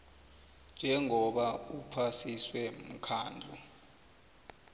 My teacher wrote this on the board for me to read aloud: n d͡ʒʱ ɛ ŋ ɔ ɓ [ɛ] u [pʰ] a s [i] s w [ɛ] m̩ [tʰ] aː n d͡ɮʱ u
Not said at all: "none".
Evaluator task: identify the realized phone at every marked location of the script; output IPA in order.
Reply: a, pʰ, i, ɛ, kʰ

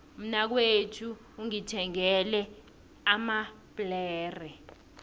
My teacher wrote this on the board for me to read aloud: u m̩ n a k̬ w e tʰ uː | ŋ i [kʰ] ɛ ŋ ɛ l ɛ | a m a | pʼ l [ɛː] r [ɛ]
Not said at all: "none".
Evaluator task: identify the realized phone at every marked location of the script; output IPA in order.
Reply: tʰ, ɛː, ɛ

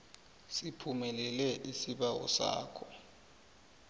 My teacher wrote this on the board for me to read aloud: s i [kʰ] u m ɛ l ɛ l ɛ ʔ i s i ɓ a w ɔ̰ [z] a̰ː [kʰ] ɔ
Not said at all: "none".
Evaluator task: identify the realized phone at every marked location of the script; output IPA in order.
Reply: pʰ, s, kʰ

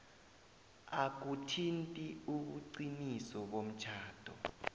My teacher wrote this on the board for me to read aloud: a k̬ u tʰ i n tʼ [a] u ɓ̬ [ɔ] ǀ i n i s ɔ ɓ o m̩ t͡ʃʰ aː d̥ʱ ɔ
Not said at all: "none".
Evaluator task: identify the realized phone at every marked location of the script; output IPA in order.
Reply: i, u

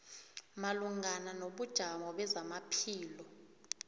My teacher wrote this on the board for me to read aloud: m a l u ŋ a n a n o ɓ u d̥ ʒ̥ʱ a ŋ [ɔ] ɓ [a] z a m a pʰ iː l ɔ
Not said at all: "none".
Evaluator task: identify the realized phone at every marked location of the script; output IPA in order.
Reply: ɔ, ɛ

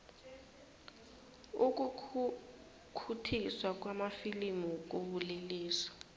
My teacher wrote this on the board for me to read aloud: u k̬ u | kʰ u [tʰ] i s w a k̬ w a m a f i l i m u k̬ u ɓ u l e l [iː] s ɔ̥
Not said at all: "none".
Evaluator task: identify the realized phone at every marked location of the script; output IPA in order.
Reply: tʰ, iː

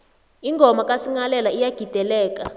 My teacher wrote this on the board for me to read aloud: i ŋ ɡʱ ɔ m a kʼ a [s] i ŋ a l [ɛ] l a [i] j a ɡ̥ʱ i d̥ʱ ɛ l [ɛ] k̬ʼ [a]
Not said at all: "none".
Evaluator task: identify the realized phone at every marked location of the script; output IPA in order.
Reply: s, ɛ, i, ɛː, a

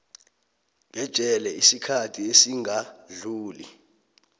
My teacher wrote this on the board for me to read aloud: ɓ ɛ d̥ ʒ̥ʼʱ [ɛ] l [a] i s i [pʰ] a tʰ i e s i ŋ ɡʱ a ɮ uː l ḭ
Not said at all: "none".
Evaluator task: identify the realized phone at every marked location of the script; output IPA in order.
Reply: ɛ, ɛ, kʰ

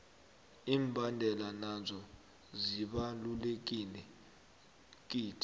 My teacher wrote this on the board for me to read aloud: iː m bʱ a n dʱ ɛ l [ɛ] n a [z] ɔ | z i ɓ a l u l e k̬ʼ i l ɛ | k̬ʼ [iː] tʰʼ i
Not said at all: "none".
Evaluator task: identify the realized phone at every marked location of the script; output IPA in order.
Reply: a, z, iː

